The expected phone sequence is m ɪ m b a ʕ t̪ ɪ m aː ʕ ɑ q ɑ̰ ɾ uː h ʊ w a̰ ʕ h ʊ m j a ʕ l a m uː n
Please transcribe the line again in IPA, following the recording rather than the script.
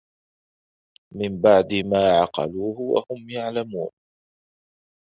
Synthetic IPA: m ɪ m b a ʕ d̪ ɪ m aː ʕ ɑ q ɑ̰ l uː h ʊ w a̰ h ʊ m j a ʕ l a m uː n